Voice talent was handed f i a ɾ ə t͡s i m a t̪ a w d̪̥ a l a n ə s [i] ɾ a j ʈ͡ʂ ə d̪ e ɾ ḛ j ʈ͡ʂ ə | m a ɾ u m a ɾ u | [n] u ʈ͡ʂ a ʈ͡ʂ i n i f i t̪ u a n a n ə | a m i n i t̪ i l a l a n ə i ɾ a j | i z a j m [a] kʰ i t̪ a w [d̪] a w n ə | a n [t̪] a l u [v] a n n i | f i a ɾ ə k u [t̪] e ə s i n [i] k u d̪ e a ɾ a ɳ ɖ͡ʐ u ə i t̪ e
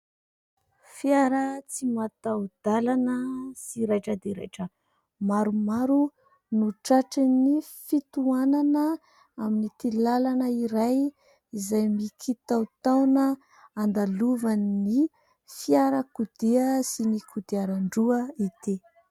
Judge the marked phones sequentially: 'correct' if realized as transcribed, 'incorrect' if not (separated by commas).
correct, correct, incorrect, incorrect, incorrect, correct, incorrect, correct